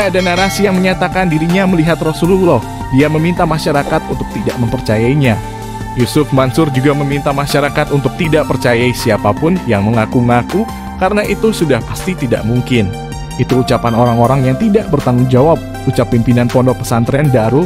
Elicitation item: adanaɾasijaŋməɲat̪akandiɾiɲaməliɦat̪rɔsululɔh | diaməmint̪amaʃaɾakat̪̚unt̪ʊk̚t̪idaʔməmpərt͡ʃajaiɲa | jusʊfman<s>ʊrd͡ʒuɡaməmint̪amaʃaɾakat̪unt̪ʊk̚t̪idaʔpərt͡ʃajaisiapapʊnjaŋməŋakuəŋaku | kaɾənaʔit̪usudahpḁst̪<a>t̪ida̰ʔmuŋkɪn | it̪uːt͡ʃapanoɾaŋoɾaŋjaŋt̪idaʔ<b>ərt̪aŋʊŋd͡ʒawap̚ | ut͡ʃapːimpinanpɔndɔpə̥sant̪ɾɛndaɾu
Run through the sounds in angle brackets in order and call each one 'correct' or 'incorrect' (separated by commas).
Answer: correct, incorrect, correct